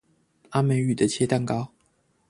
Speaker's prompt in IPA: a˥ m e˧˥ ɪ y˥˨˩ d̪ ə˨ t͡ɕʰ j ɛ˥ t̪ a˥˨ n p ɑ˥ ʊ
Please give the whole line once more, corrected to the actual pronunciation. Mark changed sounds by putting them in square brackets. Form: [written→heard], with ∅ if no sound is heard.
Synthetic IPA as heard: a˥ m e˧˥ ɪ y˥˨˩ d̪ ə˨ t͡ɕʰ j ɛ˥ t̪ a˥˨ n [p→k] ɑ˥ ʊ